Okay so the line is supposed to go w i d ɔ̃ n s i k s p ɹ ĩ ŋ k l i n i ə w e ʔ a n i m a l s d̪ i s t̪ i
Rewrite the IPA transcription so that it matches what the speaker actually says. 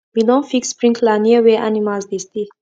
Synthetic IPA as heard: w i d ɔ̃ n f i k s p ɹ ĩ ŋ k l a n i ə w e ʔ a n i m a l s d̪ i s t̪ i